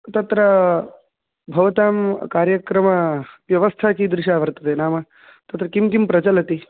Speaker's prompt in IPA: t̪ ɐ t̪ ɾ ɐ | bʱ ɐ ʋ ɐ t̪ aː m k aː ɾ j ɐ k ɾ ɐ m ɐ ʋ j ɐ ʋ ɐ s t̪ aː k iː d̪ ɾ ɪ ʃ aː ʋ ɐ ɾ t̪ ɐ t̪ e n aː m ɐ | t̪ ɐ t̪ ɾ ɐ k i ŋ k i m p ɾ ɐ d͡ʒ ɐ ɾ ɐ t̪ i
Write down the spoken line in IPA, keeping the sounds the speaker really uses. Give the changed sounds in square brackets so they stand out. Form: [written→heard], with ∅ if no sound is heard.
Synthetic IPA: t̪ ɐ t̪ ɾ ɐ | bʱ ɐ ʋ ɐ t̪ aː m k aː ɾ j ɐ k ɾ ɐ m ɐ ʋ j ɐ ʋ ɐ s [t̪→t̪ʰ] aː k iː d̪ ɾ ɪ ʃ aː ʋ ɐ ɾ t̪ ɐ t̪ e n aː m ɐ | t̪ ɐ t̪ ɾ ɐ k i [ŋ→m] k i m p ɾ ɐ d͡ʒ ɐ [ɾ→l] ɐ t̪ i